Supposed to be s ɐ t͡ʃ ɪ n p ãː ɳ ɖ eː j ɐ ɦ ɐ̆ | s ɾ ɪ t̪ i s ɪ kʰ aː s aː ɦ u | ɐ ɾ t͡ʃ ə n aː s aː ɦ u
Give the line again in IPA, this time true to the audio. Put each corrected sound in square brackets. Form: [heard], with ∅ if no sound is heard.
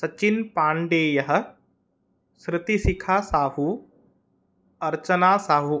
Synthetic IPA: s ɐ t͡ʃ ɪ n p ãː ɳ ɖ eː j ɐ ɦ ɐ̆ | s ɾ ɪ t̪ i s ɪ kʰ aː s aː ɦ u | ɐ ɾ t͡ʃ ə n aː s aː ɦ u